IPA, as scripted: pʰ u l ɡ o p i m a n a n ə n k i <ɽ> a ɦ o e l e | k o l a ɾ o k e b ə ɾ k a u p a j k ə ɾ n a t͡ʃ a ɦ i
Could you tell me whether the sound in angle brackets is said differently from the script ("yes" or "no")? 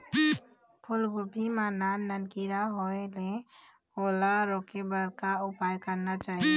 yes